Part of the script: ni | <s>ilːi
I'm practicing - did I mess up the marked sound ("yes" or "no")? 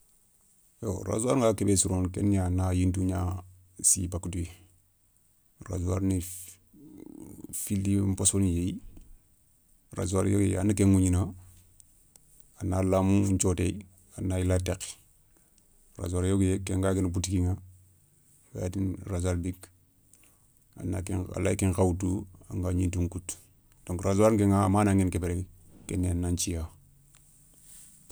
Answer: yes